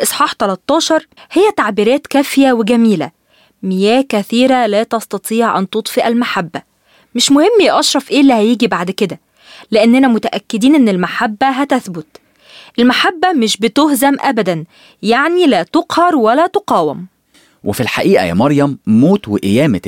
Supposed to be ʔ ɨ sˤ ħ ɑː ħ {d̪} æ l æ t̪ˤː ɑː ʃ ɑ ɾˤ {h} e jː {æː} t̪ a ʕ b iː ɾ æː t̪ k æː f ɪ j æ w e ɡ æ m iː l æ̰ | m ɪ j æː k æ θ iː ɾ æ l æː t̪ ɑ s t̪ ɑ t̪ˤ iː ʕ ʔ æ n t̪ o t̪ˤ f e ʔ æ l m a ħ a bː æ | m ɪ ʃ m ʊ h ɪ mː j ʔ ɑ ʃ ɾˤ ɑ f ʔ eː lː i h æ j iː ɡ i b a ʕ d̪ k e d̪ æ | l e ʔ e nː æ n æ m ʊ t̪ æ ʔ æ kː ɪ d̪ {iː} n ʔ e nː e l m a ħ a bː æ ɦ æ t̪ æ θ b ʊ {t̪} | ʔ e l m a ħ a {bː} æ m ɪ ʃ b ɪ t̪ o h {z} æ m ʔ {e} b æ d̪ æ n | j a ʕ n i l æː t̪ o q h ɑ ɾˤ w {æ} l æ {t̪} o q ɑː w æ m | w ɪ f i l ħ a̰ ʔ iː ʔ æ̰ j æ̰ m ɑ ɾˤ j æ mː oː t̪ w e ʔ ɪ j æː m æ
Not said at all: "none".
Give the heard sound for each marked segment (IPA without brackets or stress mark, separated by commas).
t̪, h, æ, iː, t̪, bː, z, æ, æ, t̪